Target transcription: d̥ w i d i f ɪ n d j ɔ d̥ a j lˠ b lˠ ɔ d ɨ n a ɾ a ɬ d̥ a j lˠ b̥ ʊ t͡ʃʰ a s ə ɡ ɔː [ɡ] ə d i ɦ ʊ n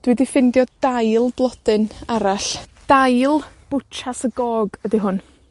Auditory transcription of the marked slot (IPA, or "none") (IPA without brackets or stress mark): ɡ